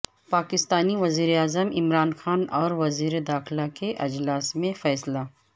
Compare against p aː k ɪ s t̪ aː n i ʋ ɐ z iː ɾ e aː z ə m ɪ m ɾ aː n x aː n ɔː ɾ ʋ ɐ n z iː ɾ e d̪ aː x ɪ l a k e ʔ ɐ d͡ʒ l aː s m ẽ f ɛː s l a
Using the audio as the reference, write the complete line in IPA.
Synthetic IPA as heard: p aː k ɪ s t̪ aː n i ʋ ɐ z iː ɾ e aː z ə m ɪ m ɾ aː n x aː n ɔː ɾ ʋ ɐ z iː ɾ e d̪ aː x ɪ l a k e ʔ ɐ d͡ʒ l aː s m ẽ f ɛː s l a

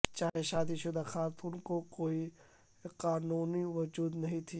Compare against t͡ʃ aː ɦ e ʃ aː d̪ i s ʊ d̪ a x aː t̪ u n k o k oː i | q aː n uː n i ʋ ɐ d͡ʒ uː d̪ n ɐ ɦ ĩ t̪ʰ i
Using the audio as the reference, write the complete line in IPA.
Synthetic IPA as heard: t͡ʃ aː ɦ e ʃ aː d̪ i ʃ ʊ d̪ a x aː t̪ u n k o k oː i | q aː n uː n i ʋ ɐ d͡ʒ uː d̪ n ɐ ɦ ĩ t̪ʰ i

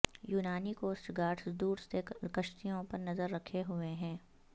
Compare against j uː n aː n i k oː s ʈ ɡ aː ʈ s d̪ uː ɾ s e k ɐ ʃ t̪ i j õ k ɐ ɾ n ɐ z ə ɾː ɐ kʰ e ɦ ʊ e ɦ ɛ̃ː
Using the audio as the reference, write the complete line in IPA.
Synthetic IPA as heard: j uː n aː n i k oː s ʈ ɡ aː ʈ s d̪ uː ɾ s e k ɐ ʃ t̪ i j õ p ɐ ɾ n ɐ z ə ɾː ɐ kʰ e ɦ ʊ e ɦ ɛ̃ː

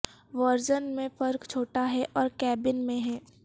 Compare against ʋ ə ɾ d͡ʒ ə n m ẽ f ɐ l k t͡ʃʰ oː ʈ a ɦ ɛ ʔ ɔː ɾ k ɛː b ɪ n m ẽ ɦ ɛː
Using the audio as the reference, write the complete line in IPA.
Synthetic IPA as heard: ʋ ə ɾ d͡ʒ ə n m ẽ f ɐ ɾ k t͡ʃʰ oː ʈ a ɦ ɛ ʔ ɔː ɾ k ɛː b ɪ n m ẽ ɦ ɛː

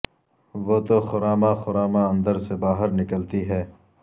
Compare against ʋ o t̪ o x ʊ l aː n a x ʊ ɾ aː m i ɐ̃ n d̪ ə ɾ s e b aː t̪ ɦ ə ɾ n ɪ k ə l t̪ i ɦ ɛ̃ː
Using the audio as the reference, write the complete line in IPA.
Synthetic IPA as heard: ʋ o t̪ o x ʊ ɾ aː m a x ʊ ɾ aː m a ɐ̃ n d̪ ə ɾ s e b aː ɦ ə ɾ n ɪ k ə l t̪ i ɦ ɛː

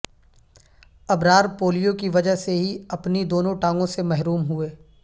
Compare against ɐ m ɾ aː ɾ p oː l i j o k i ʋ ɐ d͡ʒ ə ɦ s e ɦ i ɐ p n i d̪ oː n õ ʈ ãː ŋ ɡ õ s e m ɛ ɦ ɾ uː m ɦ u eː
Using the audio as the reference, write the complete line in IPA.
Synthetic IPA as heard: ɐ b ɾ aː ɾ p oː l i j o k i ʋ ɐ d͡ʒ ə ɦ s e ɦ i ɐ p n i d̪ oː n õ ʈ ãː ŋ ɡ õ s e m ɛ ɦ ɾ uː m ɦ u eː

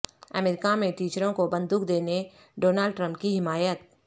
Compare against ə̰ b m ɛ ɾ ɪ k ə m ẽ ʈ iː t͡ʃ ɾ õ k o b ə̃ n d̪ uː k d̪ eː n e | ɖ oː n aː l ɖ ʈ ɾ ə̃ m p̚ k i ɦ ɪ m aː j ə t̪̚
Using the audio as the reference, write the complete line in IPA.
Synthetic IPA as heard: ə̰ m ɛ ɾ ɪ k a m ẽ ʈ iː t͡ʃ ɾ õ k o b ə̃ n d̪ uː k d̪ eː n e | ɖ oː n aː l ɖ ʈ ɾ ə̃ m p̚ k i ɦ ɪ m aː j ə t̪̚

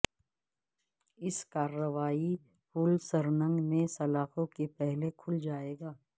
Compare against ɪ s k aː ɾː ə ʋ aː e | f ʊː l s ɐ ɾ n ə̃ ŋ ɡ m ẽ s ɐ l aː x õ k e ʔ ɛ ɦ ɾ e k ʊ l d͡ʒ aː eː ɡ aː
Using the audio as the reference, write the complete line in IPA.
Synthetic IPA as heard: ɪ s k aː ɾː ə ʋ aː i | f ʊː l s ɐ ɾ n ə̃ ŋ ɡ m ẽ s ɐ l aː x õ k e p ɛ ɦ l e kʰ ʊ l d͡ʒ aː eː ɡ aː

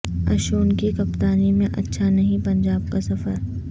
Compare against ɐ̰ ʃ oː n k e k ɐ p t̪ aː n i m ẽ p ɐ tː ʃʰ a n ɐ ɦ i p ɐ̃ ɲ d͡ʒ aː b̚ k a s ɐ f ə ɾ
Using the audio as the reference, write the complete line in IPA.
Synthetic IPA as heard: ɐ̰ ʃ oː n k i k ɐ p t̪ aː n i m ẽ ʔ ɐ tː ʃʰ a n ɐ ɦ ĩ p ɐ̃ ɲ d͡ʒ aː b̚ k a s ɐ f ə ɾ

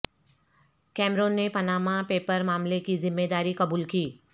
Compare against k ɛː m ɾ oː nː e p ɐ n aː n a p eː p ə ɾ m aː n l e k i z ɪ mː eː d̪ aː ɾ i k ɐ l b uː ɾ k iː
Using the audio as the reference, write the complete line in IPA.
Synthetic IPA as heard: k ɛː m ɾ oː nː e p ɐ n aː m a p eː p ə ɾ m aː m l e k i z ɪ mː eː d̪ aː ɾ i k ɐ b uː l k iː

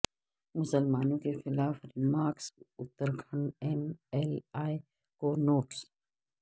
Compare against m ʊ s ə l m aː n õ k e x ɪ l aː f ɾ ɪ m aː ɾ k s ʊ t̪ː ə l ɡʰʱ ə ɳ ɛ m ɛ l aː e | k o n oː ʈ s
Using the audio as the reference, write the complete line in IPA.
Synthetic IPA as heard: m ʊ s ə l m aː n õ k e x ɪ l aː f ɾ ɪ m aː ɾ k s ʊ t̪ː ə ɾ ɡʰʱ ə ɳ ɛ m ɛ l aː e | k o n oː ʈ s

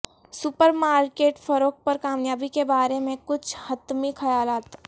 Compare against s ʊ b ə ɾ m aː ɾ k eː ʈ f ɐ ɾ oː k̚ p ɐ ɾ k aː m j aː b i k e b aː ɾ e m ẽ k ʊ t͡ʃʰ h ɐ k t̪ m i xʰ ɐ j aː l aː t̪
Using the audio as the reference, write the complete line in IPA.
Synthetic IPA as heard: s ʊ p ə ɾ m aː ɾ k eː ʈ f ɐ ɾ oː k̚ p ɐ ɾ k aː m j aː b i k e b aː ɾ e m ẽ k ʊ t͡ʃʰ h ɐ t̪ m i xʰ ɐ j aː l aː t̪

